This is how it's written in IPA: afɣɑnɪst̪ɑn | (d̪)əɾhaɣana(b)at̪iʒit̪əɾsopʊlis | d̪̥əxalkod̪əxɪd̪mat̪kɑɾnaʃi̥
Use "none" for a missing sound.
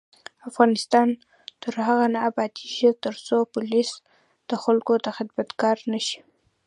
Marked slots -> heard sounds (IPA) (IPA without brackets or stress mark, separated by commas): t̪, b